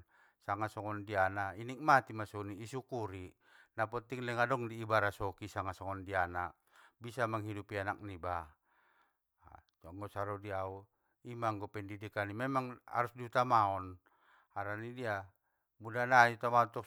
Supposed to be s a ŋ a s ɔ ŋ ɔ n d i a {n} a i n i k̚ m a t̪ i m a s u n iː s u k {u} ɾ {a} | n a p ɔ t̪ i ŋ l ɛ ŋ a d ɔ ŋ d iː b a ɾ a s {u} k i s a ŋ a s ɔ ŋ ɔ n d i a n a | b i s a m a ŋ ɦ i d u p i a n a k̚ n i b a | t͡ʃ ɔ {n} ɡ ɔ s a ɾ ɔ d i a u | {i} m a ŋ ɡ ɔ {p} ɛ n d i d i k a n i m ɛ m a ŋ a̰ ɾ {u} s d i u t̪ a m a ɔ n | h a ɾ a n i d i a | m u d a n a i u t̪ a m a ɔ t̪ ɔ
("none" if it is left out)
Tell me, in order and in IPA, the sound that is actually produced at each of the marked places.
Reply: n, u, i, ɔ, ŋ, i, p, u

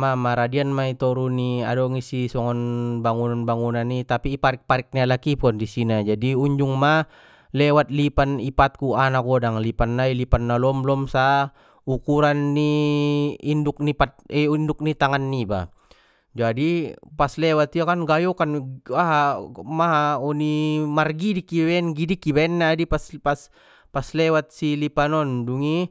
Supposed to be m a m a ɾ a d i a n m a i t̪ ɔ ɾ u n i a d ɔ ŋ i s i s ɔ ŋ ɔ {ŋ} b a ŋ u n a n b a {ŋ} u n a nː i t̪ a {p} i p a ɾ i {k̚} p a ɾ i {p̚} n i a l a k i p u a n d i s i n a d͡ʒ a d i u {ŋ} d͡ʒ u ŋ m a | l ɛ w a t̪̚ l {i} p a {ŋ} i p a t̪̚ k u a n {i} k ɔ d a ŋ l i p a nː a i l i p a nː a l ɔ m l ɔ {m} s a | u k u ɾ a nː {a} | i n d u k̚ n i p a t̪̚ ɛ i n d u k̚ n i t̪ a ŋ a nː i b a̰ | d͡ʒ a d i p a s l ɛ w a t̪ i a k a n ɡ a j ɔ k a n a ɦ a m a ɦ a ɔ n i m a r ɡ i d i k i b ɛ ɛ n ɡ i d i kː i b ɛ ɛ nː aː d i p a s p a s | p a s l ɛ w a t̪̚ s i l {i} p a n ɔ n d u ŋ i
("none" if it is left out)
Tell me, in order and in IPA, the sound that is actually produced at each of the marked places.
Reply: n, ŋ, p, k̚, k̚, ɲ, i, n, a, m, i, i

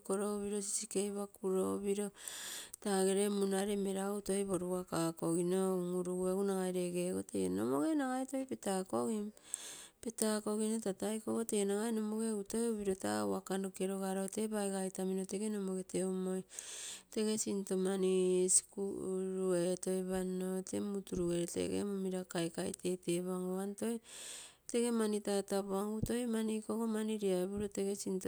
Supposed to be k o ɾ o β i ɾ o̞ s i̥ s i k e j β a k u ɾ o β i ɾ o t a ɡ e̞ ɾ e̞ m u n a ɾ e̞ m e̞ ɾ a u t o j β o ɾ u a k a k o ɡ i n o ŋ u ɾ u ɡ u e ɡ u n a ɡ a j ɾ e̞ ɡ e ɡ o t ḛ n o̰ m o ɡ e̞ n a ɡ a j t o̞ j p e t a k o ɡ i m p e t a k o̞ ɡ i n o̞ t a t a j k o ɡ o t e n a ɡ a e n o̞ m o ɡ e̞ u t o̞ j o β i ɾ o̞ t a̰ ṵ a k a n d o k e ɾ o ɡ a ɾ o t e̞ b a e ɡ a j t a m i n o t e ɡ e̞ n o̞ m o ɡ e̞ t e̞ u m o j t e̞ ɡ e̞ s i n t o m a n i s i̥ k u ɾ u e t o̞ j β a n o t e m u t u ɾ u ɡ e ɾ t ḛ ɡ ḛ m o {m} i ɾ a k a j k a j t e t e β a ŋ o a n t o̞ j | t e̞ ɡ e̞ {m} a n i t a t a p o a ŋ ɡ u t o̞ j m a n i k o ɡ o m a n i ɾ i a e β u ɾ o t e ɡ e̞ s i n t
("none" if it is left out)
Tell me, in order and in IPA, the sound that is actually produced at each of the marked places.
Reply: m, m

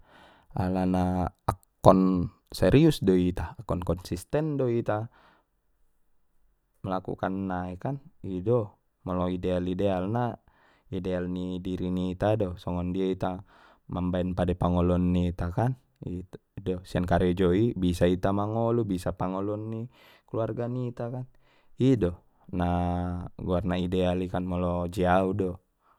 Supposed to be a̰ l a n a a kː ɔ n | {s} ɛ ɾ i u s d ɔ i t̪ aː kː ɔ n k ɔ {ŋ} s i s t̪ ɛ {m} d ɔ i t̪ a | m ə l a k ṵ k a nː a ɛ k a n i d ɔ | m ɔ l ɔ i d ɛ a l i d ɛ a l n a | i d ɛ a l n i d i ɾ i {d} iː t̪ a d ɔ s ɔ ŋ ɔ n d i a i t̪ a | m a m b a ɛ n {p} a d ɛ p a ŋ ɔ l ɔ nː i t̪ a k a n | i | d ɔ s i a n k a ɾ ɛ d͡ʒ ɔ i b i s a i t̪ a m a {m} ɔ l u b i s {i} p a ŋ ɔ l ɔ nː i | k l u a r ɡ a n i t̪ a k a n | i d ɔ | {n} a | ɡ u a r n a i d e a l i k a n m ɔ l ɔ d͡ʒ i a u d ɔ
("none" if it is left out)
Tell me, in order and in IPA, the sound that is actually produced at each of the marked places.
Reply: s, n, n, n, p, ŋ, a, n

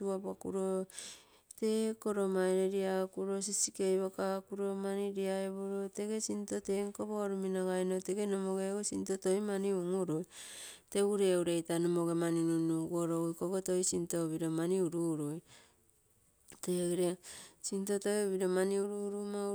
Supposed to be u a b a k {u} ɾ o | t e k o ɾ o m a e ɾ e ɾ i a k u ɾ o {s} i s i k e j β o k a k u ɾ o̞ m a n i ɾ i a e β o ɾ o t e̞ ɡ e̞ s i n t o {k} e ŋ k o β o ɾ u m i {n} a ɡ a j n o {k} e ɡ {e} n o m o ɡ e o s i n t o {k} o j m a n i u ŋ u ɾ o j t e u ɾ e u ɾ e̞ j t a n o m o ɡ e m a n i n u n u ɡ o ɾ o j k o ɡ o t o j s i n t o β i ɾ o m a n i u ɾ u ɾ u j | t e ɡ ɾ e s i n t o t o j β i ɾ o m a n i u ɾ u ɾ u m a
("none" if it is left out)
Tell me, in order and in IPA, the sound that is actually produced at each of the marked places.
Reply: u, s, t, n, t, e, t

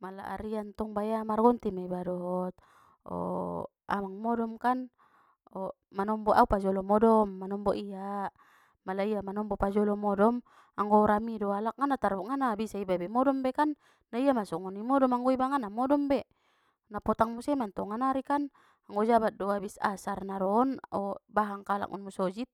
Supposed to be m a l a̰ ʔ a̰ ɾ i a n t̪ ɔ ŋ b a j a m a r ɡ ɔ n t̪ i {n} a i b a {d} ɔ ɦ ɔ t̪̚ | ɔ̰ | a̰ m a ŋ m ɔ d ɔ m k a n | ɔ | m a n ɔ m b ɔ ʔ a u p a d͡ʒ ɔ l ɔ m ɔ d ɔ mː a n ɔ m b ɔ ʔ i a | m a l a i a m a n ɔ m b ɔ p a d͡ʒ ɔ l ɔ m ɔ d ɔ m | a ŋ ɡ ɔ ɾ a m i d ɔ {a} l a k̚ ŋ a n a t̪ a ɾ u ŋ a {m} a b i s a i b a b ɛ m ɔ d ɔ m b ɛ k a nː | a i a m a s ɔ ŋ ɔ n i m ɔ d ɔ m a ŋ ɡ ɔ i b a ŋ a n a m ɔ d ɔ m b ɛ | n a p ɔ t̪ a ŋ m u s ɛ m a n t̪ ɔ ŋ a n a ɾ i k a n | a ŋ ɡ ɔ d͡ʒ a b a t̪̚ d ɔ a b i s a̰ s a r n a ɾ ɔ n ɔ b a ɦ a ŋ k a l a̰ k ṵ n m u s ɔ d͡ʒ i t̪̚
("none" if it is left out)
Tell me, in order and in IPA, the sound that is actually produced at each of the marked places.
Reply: m, d, a, n

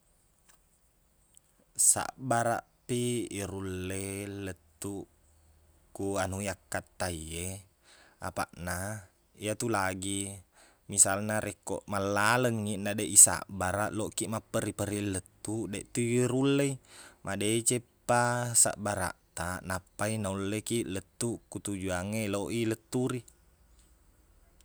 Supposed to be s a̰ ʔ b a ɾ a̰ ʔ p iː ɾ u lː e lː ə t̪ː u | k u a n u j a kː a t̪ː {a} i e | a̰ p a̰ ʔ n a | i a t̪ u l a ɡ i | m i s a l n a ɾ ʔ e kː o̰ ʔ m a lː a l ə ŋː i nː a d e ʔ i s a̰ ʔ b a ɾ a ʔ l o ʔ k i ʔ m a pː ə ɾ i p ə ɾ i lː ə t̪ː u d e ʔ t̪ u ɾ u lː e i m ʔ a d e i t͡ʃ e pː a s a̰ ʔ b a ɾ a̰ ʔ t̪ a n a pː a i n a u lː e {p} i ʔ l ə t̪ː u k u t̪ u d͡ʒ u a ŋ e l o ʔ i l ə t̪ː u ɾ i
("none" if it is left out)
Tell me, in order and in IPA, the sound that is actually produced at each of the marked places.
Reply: a, k

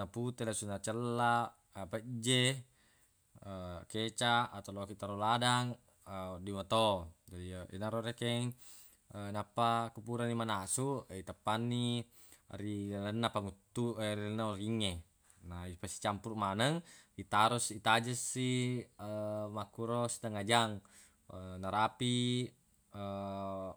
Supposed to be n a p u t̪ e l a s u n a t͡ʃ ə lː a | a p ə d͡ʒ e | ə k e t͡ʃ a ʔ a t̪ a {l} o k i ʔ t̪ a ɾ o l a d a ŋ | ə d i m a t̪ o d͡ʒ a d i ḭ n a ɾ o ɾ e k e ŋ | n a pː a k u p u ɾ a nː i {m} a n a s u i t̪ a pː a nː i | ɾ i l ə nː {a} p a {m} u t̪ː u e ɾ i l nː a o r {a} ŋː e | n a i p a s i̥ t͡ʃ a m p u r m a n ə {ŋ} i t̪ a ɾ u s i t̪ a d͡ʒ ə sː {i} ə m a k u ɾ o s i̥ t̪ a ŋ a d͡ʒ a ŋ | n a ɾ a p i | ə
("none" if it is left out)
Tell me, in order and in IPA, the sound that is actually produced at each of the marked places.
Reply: l, m, a, ŋ, i, ŋ, i

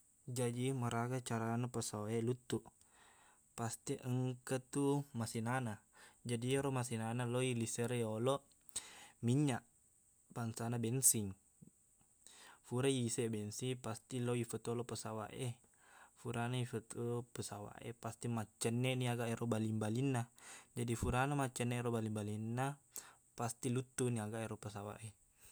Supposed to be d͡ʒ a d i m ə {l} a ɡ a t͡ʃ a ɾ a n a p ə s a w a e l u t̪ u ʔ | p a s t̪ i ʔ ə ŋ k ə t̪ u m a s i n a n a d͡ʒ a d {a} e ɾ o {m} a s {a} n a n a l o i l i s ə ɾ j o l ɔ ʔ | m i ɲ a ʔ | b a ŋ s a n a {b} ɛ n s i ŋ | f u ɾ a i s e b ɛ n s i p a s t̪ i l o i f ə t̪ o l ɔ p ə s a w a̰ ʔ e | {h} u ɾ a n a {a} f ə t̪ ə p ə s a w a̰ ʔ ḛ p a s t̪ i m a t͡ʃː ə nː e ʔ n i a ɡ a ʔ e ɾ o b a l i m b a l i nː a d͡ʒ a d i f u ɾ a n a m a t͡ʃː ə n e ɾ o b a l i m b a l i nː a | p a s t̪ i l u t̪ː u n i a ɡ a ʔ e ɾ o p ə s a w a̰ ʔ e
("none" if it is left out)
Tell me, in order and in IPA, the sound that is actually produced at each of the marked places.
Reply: ɾ, i, m, i, b, f, i

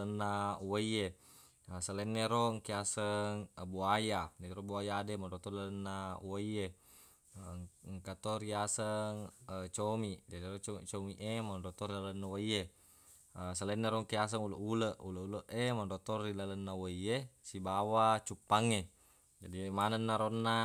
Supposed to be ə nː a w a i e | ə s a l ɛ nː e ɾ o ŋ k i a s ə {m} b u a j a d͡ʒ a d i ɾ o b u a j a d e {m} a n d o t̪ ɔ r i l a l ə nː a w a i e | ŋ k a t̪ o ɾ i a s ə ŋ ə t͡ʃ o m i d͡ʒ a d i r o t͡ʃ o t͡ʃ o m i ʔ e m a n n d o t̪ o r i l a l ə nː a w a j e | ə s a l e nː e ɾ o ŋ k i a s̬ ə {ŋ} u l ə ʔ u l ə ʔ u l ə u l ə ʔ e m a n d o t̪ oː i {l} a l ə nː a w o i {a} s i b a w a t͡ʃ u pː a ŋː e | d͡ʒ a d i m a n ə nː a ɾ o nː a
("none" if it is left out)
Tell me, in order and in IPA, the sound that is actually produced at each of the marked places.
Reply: ŋ, m, ŋ, l, e

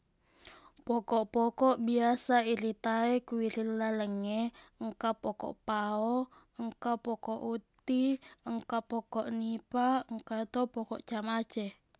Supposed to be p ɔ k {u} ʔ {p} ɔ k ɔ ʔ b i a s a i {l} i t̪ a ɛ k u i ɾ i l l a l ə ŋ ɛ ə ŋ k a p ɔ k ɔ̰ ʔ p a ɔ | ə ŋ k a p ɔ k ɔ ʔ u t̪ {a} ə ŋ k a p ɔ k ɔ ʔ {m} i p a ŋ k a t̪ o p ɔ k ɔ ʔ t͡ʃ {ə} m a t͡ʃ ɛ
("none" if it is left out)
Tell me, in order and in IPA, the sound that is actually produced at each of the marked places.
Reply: ɔ, p, ɾ, i, n, a

